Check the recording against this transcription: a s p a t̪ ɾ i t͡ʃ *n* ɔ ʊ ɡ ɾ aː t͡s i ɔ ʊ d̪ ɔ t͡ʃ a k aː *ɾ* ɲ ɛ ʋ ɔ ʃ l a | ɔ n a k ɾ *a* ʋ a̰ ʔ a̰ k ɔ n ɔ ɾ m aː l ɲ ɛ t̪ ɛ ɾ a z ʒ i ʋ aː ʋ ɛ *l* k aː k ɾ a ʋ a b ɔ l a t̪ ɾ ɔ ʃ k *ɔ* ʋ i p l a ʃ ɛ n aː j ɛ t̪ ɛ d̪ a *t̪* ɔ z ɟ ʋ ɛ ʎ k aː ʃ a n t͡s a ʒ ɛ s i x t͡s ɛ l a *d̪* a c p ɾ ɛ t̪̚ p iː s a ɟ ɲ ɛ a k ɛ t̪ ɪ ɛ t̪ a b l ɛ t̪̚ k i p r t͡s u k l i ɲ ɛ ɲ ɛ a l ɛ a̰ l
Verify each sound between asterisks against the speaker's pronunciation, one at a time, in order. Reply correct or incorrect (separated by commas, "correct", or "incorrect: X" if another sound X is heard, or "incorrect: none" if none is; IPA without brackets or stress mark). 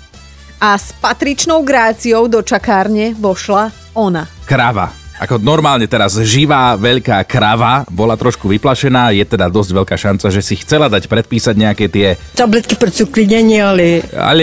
correct, correct, correct, incorrect: ʎ, incorrect: u, incorrect: d̪, correct